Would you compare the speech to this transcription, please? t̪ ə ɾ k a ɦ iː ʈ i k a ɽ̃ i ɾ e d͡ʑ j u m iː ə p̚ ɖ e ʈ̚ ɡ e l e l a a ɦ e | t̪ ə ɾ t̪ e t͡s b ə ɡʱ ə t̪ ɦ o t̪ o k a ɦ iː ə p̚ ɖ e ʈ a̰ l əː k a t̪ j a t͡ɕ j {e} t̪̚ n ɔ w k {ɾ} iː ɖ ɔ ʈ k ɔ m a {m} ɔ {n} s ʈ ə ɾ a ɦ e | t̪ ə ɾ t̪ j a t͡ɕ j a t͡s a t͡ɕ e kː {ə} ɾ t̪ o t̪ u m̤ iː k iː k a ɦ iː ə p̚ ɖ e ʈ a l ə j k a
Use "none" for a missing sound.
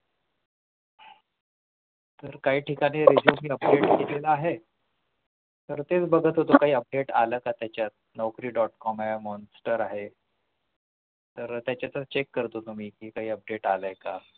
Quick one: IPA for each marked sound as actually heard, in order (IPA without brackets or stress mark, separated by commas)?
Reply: a, ɾ, m, n, ə